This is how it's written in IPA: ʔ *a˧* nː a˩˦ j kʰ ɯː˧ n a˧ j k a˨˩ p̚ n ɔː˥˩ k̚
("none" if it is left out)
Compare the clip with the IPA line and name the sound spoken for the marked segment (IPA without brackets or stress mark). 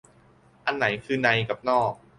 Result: a˧